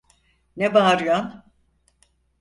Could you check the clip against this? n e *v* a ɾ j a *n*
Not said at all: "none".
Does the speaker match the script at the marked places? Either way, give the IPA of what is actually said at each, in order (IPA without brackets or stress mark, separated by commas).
b, n